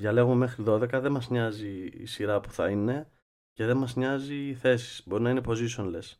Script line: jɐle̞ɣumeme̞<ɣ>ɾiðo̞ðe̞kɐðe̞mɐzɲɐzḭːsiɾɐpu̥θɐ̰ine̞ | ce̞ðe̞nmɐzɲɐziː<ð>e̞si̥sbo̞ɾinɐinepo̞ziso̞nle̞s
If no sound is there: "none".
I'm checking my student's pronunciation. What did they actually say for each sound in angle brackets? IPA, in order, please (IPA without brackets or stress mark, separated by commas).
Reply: x, θ